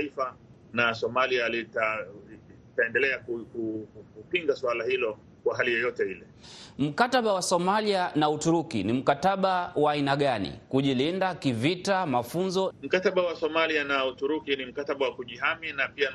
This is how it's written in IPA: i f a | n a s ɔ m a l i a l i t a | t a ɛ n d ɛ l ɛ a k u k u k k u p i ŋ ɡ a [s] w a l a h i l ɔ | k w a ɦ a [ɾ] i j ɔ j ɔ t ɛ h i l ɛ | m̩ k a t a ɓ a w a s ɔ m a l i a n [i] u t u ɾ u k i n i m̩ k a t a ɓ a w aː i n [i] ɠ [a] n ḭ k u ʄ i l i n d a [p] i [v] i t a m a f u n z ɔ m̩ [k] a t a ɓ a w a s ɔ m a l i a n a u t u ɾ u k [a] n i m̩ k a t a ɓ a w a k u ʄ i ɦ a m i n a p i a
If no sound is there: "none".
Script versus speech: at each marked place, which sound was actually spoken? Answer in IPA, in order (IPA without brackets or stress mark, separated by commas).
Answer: s, l, a, a, a, k, v, k, i